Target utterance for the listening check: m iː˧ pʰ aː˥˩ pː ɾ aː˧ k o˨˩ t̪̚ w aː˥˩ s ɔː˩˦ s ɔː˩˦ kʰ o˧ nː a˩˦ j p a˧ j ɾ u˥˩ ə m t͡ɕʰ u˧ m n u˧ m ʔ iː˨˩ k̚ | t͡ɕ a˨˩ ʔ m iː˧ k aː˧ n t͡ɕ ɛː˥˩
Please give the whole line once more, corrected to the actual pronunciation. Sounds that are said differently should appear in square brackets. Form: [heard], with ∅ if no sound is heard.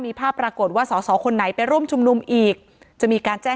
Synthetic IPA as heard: m iː˧ pʰ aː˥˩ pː ɾ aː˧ k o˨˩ t̪̚ w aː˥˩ s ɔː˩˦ s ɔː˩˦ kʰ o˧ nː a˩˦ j p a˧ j ɾ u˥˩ ə m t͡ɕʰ u˧ m n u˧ m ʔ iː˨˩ k̚ | t͡ɕ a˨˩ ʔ m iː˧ k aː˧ n t͡ɕ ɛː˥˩